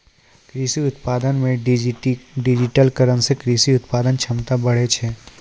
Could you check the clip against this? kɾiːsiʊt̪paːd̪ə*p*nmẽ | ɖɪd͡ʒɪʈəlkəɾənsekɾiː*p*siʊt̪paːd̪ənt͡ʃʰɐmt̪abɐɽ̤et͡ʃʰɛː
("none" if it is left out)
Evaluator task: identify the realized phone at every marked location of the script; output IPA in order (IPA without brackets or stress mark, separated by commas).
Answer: none, none